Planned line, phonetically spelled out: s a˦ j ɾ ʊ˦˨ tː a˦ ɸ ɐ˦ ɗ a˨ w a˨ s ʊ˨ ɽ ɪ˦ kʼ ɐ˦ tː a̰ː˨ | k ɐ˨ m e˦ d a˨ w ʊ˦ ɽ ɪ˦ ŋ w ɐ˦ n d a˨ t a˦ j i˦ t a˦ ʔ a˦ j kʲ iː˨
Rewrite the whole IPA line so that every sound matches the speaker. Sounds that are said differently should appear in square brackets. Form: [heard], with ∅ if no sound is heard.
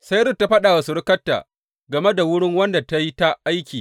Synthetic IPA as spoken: s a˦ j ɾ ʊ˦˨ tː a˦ ɸ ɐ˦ ɗ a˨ w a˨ s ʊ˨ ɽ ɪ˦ [k] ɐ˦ tː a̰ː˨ | [ɡ] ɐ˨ m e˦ d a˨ w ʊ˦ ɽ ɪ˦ ŋ w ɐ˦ n d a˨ t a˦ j i˦ t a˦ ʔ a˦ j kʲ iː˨